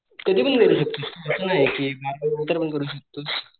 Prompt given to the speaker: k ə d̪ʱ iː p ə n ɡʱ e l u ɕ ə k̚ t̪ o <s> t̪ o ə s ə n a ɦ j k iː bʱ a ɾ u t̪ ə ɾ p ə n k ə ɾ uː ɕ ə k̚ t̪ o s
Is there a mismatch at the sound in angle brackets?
no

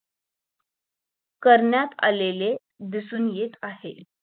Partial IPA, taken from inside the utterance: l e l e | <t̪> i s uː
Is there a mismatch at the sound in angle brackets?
yes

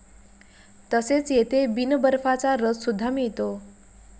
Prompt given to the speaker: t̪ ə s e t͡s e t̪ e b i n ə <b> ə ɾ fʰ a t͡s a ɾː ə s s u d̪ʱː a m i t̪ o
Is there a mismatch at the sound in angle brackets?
no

